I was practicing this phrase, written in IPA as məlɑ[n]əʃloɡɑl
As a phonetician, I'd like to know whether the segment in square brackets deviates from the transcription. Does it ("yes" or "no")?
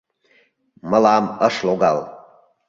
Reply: yes